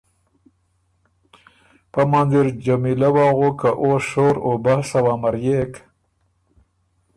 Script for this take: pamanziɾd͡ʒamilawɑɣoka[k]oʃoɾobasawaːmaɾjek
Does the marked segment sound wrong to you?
yes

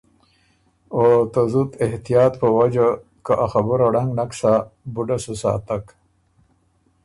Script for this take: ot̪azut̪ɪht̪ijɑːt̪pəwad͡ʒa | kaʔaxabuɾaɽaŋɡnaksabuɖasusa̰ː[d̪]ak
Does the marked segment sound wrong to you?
yes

